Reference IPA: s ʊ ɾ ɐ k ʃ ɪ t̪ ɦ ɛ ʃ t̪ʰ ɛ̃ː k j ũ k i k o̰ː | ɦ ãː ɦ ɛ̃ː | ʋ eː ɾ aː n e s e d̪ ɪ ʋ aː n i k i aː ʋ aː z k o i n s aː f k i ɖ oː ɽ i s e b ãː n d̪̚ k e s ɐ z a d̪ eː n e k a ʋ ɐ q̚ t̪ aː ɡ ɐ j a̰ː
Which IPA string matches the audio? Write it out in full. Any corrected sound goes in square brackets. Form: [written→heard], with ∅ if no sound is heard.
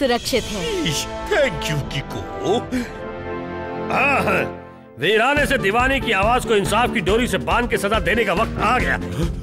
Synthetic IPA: s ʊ ɾ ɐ k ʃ ɪ t̪ ɦ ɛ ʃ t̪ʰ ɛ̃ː k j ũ k i k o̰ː | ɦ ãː ɦ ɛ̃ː | ʋ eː ɾ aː n e s e d̪ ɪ ʋ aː n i k i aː ʋ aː z k o [i→ɪ] n s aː f k i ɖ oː [ɽ→ɾ] i s e b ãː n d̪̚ k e s ɐ z a d̪ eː n e k a ʋ ɐ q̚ t̪ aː ɡ ɐ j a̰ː

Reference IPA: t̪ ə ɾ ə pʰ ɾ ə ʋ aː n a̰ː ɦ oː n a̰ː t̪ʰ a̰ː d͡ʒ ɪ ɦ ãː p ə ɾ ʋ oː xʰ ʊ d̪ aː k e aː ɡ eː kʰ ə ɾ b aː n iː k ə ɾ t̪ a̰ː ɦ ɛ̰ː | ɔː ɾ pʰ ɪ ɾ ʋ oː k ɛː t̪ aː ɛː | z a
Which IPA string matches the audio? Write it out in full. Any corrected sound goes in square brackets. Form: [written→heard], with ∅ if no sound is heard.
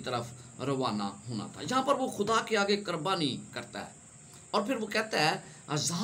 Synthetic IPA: t̪ ə ɾ ə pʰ ɾ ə ʋ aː n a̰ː ɦ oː n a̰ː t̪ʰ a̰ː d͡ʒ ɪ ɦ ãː p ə ɾ ʋ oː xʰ ʊ d̪ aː k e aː ɡ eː [kʰ→k] ə ɾ b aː n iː k ə ɾ t̪ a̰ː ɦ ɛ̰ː | ɔː ɾ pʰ ɪ ɾ ʋ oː k ɛː t̪ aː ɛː | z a

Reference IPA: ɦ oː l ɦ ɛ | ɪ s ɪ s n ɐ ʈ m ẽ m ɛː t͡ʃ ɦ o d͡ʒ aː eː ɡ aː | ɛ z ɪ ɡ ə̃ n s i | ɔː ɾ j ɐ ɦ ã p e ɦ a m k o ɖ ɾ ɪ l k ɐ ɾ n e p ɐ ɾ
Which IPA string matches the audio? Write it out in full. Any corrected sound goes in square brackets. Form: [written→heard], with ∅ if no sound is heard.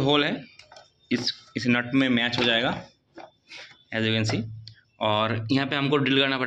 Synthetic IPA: ɦ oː l ɦ ɛ | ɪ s ɪ s n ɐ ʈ m ẽ m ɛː t͡ʃ ɦ o d͡ʒ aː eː ɡ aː | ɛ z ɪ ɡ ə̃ n s i | ɔː ɾ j ɐ ɦ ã p e ɦ [a→ɐ] m k o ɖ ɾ ɪ l k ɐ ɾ n [e→a] p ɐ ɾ

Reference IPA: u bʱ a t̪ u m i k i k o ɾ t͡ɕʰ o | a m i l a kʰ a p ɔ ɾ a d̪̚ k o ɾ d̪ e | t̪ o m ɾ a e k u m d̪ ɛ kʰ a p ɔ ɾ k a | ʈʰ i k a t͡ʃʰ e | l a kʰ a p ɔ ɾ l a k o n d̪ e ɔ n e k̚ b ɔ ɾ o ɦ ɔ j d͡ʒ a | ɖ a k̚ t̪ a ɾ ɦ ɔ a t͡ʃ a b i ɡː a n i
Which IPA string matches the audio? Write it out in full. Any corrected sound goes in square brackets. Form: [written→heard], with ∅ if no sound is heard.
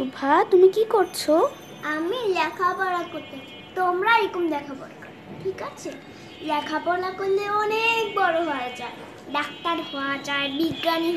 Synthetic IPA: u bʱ a t̪ u m i k i k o ɾ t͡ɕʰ o | a m i l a kʰ a p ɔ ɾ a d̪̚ k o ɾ [d̪→t̪] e | t̪ o m ɾ a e k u m d̪ ɛ kʰ a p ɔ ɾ k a | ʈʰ i k a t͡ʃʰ e | l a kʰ a p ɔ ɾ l a k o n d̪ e ɔ n e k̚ b ɔ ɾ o ɦ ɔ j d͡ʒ a | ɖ a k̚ t̪ a ɾ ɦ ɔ a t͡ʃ a b i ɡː a n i

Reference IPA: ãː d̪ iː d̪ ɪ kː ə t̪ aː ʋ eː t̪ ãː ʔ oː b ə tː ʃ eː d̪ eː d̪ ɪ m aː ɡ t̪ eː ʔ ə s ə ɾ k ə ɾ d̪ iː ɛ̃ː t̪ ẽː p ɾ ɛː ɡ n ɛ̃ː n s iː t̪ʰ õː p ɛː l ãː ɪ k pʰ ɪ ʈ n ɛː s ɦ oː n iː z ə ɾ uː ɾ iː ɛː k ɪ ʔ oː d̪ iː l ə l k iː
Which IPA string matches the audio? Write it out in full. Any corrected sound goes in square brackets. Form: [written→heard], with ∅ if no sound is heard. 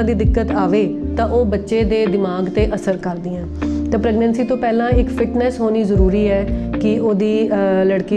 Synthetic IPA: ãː d̪ iː d̪ ɪ kː ə t̪ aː ʋ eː t̪ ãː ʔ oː b ə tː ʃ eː d̪ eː d̪ ɪ m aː ɡ t̪ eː ʔ ə s ə ɾ k ə ɾ d̪ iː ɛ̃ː t̪ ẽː p ɾ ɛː ɡ n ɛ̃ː n s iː [t̪ʰ→t̪] õː p ɛː l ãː ɪ k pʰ ɪ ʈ n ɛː s ɦ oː n iː z ə ɾ uː ɾ iː ɛː k ɪ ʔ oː d̪ iː l ə [l→ɽ] k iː

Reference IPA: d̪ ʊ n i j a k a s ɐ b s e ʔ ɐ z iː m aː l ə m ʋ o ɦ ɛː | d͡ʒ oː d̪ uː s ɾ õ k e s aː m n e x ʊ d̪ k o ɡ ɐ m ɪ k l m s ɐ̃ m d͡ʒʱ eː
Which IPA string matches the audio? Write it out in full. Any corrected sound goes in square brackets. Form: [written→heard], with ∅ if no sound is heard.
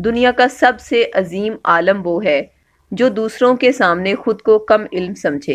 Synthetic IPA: d̪ ʊ n i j a k a s ɐ b s e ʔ ɐ z iː m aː l ə m ʋ o ɦ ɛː | d͡ʒ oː d̪ uː s ɾ õ k e s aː m n e x ʊ d̪ k o [ɡ→k] ɐ m ɪ [k→∅] l m s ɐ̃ m d͡ʒʱ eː

